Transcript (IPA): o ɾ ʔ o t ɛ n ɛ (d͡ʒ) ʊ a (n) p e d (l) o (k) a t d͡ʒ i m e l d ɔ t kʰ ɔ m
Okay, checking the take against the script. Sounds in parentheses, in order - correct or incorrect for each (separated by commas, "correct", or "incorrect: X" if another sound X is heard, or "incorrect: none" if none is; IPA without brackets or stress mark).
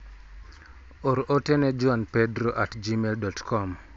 correct, correct, incorrect: ɾ, incorrect: ʔ